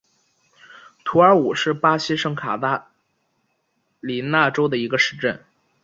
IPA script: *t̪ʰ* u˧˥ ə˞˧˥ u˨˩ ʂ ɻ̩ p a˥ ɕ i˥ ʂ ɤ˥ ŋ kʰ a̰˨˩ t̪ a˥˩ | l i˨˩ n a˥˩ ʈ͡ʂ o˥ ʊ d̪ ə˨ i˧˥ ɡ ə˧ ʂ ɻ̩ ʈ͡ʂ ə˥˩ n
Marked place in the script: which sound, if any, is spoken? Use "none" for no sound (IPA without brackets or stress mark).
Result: t̪ʰ